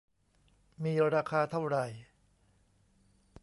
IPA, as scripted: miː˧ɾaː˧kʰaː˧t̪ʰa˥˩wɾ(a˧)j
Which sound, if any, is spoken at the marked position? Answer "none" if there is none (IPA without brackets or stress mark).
a˨˩